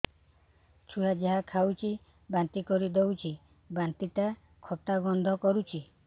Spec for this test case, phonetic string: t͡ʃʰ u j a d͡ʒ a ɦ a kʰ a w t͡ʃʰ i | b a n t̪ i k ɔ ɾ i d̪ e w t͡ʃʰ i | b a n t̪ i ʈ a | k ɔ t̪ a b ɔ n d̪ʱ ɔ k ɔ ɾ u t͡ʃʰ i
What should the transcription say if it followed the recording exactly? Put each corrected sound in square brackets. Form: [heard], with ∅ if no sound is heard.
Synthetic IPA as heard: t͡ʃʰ u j a d͡ʒ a ɦ a kʰ a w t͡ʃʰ i | b a n t̪ i k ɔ ɾ i d̪ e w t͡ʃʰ i | b a n t̪ i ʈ a | [kʰ] ɔ t̪ a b ɔ n d̪ʱ ɔ k ɔ ɾ u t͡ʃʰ i